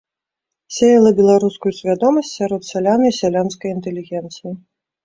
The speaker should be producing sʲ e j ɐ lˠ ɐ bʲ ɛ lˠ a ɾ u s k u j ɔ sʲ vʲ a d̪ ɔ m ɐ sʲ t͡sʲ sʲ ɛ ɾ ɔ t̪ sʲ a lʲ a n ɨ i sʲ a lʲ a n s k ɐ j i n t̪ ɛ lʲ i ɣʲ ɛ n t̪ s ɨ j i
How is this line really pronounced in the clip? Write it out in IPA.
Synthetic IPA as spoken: sʲ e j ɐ lˠ ɐ bʲ ɛ lˠ a ɾ u s k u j u sʲ vʲ a d̪ ɔ m ɐ sʲ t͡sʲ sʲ a ɾ ɔ t̪ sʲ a lʲ a n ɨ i sʲ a lʲ a n s k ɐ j i n t̪ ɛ lʲ i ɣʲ ɛ n t̪ s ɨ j i

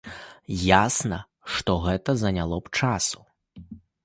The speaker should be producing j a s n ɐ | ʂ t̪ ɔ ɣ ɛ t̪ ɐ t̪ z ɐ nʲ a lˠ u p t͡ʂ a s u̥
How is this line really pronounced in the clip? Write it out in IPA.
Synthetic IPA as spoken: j a s n ɐ | ʂ t̪ ɔ ɣ ɛ t̪ ɐ z ɐ nʲ a lˠ ɔ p t͡ʂ a s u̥

